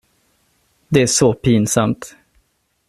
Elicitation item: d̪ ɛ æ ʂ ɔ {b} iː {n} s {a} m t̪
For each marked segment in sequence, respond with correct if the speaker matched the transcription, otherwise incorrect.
incorrect: p, correct, correct

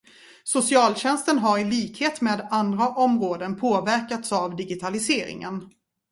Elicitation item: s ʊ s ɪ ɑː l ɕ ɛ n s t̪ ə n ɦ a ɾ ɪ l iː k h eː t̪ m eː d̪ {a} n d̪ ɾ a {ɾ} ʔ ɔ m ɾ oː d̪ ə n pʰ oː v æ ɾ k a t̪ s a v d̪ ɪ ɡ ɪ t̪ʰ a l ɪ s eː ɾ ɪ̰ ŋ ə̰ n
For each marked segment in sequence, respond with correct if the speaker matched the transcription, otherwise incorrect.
correct, incorrect: none

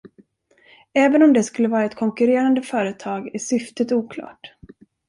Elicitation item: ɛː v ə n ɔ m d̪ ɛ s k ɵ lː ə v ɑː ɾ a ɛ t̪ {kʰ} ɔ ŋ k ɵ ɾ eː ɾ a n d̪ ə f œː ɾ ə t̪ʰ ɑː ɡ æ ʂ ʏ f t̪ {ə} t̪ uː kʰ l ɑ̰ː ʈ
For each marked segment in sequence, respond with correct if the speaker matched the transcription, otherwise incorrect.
correct, correct

